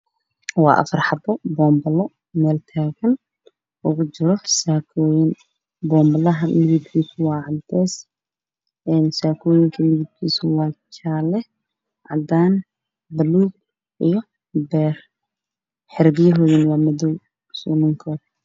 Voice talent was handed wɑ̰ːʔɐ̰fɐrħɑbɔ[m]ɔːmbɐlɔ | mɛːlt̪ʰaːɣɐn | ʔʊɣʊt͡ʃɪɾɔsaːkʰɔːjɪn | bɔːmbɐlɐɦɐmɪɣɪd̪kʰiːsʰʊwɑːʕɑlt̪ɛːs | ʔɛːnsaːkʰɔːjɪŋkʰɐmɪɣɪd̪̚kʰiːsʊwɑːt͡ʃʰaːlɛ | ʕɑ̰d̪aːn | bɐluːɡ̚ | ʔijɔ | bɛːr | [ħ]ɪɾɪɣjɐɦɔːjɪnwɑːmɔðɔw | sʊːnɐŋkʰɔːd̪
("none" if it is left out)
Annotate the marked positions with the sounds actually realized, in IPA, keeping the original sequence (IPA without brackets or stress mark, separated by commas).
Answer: b, ħ